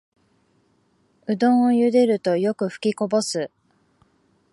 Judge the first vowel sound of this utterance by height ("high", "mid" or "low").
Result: high